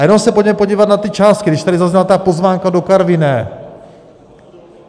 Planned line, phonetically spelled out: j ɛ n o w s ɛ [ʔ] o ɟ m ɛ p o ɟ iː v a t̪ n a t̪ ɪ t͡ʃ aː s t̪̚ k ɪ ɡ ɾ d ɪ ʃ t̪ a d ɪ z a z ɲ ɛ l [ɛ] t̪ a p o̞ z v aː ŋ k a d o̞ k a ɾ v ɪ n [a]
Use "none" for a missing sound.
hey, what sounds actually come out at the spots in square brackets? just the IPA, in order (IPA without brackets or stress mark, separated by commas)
p, a, ɛ